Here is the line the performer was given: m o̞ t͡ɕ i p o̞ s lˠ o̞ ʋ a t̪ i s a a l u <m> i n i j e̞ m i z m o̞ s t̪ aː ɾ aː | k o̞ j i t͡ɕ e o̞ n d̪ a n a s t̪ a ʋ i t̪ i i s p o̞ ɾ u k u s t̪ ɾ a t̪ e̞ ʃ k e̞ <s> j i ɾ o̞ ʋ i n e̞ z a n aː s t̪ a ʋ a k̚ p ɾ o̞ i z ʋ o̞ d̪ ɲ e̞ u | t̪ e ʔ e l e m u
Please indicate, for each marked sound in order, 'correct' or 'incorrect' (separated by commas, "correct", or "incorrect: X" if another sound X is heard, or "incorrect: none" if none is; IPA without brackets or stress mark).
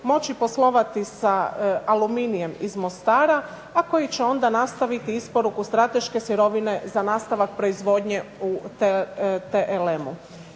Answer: correct, correct